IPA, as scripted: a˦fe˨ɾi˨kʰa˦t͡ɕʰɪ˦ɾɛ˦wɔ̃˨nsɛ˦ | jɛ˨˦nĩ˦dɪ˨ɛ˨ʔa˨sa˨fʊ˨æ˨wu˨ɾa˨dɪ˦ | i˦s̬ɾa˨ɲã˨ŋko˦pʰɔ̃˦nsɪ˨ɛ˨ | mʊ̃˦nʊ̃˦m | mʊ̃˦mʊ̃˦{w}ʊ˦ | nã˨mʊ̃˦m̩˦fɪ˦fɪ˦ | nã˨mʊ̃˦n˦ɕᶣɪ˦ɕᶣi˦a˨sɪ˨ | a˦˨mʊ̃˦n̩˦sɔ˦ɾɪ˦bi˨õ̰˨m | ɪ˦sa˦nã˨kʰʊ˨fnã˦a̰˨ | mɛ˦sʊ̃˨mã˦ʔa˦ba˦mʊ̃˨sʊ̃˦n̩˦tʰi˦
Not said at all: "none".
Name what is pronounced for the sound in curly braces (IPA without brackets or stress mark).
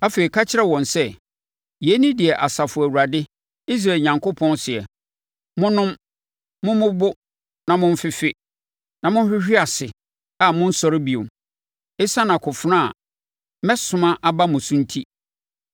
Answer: b